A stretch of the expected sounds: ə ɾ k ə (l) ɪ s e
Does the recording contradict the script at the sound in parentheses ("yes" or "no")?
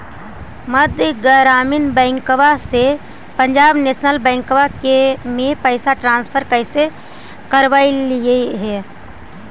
yes